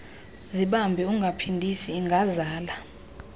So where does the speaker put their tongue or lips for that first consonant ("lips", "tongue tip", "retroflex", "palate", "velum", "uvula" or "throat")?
tongue tip